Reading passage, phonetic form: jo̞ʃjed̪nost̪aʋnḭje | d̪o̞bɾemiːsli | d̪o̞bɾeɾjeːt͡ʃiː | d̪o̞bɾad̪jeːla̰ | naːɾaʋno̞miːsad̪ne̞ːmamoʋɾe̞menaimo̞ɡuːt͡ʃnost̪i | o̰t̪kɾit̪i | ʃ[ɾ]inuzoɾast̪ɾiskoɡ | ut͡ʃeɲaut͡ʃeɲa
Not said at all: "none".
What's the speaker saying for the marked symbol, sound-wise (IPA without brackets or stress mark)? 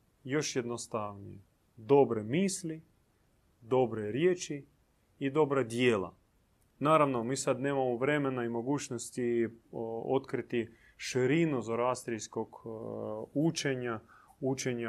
ɾ